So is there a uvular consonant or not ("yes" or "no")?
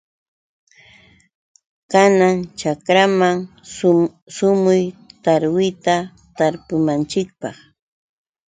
yes